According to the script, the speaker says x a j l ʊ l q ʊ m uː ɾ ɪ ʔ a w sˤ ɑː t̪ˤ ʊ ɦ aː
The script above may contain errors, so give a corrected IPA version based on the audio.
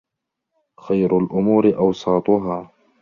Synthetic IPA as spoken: x a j ɾ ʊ l ʔ ʊ m uː ɾ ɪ ʔ ɑ w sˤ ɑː t̪ˤ ʊ ɦ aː